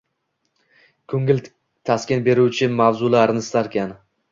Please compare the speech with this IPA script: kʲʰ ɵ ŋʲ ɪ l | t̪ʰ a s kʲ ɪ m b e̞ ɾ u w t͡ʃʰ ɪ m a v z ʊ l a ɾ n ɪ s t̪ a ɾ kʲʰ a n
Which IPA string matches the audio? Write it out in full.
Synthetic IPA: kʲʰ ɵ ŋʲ ɪ l | t̪ʰ a s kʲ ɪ n b e̞ ɾ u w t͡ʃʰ ɪ m a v z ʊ l a ɾ n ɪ s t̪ a ɾ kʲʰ a n